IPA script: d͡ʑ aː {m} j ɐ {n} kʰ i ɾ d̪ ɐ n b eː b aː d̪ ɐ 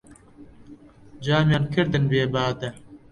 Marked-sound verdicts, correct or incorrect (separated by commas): correct, correct